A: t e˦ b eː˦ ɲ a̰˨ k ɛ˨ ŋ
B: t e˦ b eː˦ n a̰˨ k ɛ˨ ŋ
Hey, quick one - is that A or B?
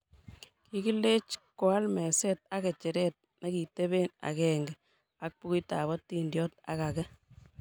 B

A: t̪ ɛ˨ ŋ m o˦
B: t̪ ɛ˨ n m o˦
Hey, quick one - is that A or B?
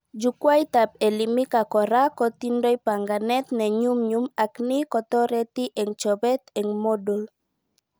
A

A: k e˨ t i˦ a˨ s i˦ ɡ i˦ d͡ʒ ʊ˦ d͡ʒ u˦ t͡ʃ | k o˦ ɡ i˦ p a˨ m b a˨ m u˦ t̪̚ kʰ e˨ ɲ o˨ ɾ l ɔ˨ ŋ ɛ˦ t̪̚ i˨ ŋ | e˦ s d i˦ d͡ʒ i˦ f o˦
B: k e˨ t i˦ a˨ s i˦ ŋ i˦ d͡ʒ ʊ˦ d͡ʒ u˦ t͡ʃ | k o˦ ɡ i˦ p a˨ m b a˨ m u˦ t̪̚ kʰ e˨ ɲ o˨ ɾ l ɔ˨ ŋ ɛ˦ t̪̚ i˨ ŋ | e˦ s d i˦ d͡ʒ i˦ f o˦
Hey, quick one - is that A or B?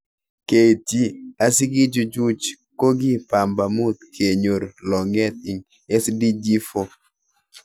A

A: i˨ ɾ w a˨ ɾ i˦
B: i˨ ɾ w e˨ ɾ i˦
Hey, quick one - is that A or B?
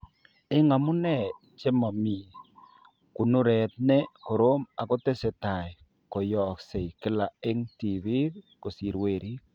B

